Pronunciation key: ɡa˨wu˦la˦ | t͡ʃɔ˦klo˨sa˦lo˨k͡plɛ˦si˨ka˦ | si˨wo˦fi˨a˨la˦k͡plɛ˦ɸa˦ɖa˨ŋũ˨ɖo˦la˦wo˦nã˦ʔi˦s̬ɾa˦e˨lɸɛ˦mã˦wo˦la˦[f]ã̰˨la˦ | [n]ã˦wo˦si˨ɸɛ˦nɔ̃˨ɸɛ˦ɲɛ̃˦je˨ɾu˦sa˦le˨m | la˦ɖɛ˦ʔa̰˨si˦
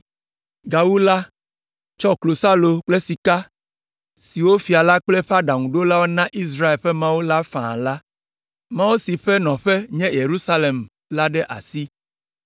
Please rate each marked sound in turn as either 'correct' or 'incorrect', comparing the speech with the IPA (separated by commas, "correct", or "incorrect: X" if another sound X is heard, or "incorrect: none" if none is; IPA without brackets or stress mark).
correct, incorrect: m